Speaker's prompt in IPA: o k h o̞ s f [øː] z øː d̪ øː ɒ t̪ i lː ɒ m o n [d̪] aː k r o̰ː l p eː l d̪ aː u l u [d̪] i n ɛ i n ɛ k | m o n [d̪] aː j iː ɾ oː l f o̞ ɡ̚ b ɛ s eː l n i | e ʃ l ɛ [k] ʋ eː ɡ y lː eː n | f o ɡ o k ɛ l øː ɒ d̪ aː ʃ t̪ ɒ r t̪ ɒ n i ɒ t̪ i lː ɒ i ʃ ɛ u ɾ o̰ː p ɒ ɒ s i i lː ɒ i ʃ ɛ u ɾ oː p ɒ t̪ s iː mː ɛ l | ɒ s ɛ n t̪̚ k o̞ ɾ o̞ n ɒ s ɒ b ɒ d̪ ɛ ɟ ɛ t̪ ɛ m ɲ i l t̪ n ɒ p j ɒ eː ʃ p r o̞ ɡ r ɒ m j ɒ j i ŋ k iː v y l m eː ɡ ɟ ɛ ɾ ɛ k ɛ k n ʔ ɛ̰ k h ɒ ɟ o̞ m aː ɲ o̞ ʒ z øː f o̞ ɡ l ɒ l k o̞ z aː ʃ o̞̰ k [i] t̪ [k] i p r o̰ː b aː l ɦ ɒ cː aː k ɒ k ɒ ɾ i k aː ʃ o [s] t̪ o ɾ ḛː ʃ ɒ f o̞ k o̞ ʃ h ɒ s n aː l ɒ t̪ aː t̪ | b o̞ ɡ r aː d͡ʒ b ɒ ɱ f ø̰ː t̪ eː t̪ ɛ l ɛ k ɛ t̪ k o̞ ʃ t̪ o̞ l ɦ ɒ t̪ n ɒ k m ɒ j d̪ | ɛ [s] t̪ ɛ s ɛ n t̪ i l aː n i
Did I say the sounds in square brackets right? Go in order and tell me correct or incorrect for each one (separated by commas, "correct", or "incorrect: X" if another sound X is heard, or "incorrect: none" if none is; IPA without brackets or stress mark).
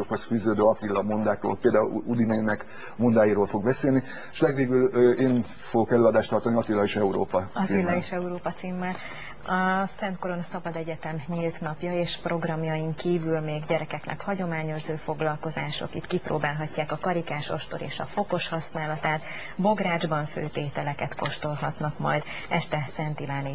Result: incorrect: yː, correct, correct, correct, incorrect: ɡ, correct, correct, incorrect: ʃ, incorrect: ʃ